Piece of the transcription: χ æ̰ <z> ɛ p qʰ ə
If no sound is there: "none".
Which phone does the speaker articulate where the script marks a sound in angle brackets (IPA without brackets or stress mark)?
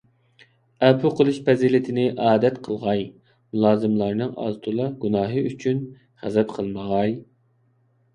z